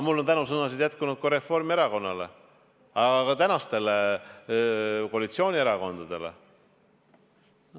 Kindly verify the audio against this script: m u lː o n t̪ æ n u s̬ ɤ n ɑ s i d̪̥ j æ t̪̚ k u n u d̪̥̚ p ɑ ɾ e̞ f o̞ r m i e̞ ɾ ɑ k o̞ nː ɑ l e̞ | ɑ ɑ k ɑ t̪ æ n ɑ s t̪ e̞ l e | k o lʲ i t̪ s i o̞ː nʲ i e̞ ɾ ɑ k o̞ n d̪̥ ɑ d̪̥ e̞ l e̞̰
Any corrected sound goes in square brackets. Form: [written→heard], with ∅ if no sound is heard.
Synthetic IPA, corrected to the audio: m u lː o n t̪ æ n u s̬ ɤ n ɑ s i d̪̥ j æ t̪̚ k u n u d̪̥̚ [p→k] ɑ ɾ e̞ f o̞ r m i e̞ ɾ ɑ k o̞ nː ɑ l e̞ | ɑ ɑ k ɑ t̪ æ n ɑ s t̪ e̞ l e | k o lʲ i t̪ s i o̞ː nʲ i e̞ ɾ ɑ k o̞ n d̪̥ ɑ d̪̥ e̞ l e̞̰